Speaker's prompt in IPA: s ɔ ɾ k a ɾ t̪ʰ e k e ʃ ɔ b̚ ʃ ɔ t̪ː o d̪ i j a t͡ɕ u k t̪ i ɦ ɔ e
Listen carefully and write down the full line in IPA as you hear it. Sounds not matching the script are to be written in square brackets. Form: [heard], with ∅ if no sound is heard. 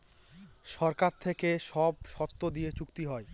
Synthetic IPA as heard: [ʃ] ɔ ɾ k a ɾ t̪ʰ e k e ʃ ɔ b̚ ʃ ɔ t̪ː o d̪ i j [e] t͡ɕ u k t̪ i ɦ ɔ e